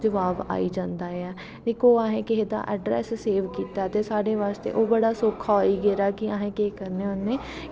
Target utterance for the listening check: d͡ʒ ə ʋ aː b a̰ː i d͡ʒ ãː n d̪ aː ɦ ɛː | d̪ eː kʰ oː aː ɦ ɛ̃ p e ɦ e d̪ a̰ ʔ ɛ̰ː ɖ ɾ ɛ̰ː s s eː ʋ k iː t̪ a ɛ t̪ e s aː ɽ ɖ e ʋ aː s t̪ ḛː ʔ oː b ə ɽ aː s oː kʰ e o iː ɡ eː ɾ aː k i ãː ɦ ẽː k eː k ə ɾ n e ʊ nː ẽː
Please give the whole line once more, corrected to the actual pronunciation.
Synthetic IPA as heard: d͡ʒ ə ʋ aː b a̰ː i d͡ʒ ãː n d̪ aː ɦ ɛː | d̪ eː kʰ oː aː ɦ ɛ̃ k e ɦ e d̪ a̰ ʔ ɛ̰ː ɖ ɾ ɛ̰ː s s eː ʋ k iː t̪ a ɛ t̪ e s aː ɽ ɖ e ʋ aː s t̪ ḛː ʔ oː b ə ɽ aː s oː kʰ a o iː ɡ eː ɾ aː k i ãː ɦ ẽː k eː k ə ɾ n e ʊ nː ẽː